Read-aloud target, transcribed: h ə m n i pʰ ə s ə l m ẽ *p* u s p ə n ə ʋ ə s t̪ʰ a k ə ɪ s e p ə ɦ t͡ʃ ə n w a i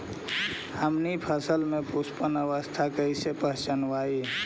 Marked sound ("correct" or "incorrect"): correct